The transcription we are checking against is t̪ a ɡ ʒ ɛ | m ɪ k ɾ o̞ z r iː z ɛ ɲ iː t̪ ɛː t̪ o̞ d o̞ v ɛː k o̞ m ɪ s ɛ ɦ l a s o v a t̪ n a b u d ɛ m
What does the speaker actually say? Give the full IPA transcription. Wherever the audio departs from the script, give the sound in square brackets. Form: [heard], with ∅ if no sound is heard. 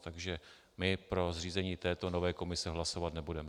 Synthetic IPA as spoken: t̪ a ɡ ʒ ɛ | m ɪ [p] ɾ o̞ z r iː z ɛ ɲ iː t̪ ɛː t̪ o̞ [n] o̞ v ɛː k o̞ m ɪ s ɛ ɦ l a s o v a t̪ n [ɛ] b u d ɛ m